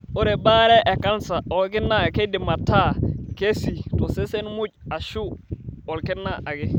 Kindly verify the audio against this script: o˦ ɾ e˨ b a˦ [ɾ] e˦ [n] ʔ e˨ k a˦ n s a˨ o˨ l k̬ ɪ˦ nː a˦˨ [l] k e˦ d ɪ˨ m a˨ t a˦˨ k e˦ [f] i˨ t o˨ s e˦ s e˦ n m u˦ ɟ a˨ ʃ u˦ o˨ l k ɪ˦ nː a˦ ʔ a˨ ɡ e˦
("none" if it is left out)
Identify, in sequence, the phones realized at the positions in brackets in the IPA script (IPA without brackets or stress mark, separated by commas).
ɾ, none, none, s